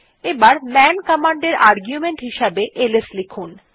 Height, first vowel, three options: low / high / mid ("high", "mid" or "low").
mid